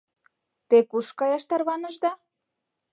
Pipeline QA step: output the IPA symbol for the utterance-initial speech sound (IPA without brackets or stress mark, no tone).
t̪